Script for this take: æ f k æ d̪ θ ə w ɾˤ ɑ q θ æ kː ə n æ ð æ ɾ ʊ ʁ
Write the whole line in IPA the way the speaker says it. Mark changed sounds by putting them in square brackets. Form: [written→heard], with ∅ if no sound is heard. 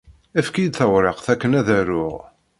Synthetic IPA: æ f k [æ→i] d̪ θ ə w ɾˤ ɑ q θ æ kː ə n æ ð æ ɾ ʊ ʁ